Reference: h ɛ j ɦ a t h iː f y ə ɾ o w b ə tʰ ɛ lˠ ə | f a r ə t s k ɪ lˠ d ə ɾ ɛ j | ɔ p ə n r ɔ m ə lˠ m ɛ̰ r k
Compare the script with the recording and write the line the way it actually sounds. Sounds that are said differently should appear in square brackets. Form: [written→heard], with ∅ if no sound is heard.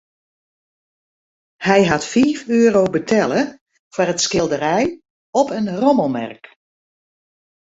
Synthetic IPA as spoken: h ɛ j ɦ a t [h→f] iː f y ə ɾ o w b ə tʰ ɛ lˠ ə | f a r ə t s k ɪ lˠ d ə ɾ ɛ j | ɔ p ə n r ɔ m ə lˠ m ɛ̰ r k